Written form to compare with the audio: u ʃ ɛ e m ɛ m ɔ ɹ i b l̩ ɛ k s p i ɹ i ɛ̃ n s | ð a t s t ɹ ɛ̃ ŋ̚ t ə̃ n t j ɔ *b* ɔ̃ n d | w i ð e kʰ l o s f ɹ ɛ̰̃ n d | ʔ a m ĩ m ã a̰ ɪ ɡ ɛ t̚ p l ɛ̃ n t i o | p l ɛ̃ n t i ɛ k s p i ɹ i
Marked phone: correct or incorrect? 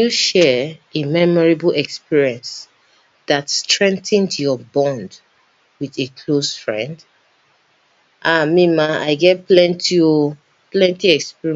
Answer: correct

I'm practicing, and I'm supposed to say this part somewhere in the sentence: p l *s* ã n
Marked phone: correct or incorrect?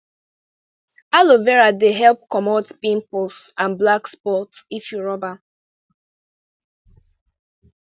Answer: correct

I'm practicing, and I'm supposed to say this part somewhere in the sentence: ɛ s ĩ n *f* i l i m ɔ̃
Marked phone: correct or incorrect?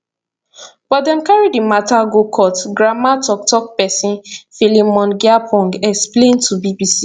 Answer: correct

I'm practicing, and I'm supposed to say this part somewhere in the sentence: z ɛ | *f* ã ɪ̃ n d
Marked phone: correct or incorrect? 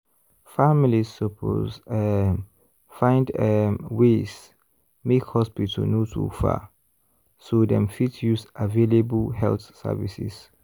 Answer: correct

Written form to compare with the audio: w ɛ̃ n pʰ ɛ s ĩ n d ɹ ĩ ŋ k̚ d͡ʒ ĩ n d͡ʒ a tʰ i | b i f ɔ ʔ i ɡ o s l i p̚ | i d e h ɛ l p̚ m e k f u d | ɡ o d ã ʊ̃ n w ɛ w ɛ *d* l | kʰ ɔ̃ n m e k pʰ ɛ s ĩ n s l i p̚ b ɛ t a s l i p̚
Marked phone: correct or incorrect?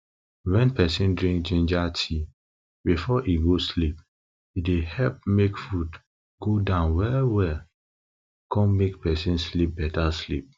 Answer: incorrect: none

